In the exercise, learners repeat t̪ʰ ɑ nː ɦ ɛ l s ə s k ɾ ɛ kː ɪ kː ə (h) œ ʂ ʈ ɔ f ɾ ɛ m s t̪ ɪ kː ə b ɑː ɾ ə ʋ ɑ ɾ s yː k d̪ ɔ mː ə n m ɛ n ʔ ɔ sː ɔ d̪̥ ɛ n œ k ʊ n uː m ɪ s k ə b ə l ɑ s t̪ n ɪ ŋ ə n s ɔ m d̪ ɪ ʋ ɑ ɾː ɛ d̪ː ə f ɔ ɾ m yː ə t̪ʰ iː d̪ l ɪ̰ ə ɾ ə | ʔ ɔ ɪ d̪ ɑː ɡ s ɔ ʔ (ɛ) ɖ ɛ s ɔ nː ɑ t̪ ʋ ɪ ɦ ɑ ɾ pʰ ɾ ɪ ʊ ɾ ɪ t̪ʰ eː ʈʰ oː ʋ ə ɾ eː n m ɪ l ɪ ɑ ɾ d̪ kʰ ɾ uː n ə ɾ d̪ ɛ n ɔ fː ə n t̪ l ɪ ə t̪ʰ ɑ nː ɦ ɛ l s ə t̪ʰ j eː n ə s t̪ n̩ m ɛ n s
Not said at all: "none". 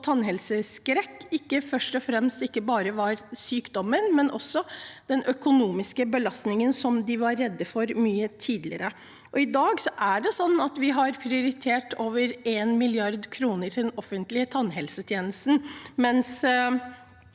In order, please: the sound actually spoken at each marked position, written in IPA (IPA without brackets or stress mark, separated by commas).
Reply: f, æ